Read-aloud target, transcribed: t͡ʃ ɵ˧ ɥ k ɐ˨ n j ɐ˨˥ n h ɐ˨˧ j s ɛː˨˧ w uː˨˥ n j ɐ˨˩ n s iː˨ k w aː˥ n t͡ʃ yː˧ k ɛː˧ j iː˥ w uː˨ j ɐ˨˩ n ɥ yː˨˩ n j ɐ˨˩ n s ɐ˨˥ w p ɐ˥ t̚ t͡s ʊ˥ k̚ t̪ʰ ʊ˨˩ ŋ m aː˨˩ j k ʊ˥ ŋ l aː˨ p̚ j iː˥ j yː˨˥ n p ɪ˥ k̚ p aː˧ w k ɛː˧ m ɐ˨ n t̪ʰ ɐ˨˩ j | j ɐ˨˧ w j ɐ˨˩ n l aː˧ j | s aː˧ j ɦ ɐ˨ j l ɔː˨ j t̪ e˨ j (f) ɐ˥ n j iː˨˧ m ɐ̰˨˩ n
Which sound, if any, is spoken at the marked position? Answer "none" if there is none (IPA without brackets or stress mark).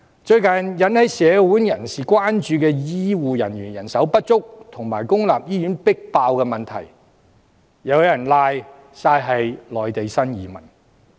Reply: s